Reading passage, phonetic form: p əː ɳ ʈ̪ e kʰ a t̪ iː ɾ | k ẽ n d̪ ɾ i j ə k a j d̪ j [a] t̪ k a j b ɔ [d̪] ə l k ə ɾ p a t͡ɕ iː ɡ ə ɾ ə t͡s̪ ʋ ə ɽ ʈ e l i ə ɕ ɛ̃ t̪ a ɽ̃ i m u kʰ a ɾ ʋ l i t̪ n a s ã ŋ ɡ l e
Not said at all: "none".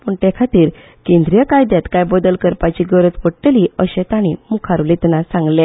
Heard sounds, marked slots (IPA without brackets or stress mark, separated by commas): a, d̪